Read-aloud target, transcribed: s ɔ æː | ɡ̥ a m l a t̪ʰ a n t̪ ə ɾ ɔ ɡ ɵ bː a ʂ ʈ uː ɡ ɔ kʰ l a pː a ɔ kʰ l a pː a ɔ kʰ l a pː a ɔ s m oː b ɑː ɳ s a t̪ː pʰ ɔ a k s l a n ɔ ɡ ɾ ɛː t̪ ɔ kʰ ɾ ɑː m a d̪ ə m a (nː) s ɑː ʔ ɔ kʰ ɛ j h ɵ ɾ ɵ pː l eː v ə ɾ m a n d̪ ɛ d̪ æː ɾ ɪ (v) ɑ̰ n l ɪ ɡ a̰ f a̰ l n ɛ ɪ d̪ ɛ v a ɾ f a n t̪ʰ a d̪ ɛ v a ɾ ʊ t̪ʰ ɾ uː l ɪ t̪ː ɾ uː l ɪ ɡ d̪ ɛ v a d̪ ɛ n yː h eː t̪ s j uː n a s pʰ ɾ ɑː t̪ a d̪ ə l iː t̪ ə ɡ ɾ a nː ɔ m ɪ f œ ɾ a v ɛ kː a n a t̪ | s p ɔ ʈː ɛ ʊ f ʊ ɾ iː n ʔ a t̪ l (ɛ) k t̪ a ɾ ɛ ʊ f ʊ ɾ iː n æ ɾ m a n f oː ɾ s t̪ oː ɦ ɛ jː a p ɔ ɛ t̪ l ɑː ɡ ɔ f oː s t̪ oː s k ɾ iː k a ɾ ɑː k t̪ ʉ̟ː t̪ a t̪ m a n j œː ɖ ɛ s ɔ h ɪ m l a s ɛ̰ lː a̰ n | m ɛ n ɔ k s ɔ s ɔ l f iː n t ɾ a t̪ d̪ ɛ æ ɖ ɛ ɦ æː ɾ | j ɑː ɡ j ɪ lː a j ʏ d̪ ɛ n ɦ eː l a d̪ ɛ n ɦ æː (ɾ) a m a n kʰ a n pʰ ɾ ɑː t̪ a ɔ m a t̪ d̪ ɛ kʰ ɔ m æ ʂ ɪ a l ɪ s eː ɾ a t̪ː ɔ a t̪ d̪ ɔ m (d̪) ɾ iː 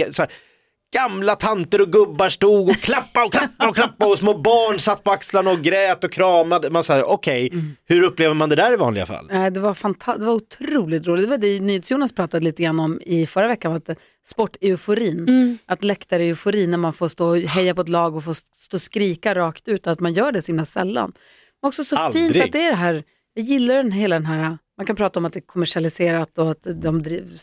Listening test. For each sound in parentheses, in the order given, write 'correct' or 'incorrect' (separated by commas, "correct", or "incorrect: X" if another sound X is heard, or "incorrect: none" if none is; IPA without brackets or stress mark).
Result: incorrect: n, correct, correct, correct, correct